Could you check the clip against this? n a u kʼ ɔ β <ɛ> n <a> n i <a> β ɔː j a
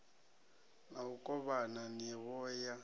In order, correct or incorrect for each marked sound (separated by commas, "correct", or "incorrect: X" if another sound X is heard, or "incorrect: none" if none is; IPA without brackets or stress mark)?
incorrect: a, correct, incorrect: ɛ